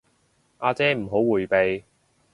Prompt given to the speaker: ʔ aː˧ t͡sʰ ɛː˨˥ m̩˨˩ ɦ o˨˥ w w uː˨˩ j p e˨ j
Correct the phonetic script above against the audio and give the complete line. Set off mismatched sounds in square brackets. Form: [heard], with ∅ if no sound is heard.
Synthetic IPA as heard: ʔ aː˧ [t͡s] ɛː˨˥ m̩˨˩ ɦ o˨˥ w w uː˨˩ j p e˨ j